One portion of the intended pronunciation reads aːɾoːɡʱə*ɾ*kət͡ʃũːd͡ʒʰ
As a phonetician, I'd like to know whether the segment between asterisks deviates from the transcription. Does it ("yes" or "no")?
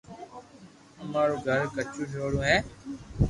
no